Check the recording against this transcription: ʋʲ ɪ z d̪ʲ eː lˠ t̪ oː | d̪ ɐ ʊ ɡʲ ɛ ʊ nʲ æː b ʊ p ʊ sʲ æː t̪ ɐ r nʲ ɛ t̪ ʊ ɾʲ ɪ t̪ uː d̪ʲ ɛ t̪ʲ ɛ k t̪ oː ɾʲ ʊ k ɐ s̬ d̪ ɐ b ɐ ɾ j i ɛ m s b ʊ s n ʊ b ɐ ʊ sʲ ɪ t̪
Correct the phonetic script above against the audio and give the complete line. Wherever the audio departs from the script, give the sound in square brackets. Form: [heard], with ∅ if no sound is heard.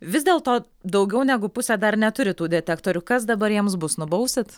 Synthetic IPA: ʋʲ ɪ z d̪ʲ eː lˠ t̪ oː | d̪ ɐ ʊ ɡʲ ɛ ʊ nʲ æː [ɡ] ʊ p ʊ sʲ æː [d̪] ɐ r nʲ ɛ t̪ ʊ ɾʲ ɪ t̪ uː d̪ʲ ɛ t̪ʲ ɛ k t̪ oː ɾʲ ʊ k ɐ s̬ d̪ ɐ b ɐ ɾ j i ɛ m s b ʊ s n ʊ b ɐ ʊ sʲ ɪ t̪

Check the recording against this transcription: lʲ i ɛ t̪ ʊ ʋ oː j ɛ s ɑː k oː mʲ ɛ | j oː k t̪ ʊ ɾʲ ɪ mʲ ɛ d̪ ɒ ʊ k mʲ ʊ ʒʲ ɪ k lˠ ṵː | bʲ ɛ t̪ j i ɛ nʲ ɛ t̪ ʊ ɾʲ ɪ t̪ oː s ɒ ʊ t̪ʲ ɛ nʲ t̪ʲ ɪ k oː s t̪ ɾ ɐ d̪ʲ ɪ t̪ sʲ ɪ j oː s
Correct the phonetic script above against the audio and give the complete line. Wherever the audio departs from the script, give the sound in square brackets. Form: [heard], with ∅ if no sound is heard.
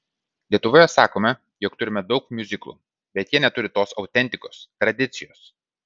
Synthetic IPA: lʲ i ɛ t̪ ʊ ʋ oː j ɛ s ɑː k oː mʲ ɛ | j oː k t̪ ʊ ɾʲ ɪ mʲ ɛ d̪ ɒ ʊ k mʲ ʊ [zʲ] ɪ k lˠ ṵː | bʲ ɛ t̪ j i ɛ nʲ ɛ t̪ ʊ ɾʲ ɪ t̪ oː s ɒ ʊ t̪ʲ ɛ nʲ t̪ʲ ɪ k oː s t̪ ɾ ɐ d̪ʲ ɪ t̪ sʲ ɪ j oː s

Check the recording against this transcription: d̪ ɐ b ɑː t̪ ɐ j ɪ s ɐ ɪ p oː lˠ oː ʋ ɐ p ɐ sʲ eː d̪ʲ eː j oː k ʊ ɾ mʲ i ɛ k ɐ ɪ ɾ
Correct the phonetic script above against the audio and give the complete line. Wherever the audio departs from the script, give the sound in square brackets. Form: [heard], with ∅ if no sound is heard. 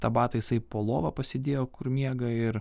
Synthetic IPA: [t̪] ɐ b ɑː t̪ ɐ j ɪ s ɐ ɪ p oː lˠ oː ʋ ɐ p ɐ sʲ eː d̪ʲ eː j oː k ʊ ɾ mʲ i ɛ [ɡ] ɐ ɪ ɾ

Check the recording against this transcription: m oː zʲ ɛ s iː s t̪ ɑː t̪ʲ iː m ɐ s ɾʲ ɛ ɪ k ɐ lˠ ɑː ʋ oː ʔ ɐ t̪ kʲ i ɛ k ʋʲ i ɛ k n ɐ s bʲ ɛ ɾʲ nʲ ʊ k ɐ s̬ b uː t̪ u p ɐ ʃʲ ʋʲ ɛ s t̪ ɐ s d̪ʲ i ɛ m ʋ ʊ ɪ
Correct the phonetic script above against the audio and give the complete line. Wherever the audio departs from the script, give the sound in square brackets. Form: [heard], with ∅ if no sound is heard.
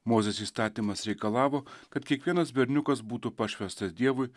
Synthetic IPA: m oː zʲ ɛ s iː s t̪ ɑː t̪ʲ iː m ɐ s ɾʲ ɛ ɪ k ɐ lˠ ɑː ʋ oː [k] ɐ t̪ kʲ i ɛ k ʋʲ i ɛ [∅] n ɐ s bʲ ɛ ɾʲ nʲ ʊ k ɐ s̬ b uː t̪ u p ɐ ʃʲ ʋʲ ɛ s t̪ ɐ s d̪ʲ i ɛ [∅] ʋ ʊ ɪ

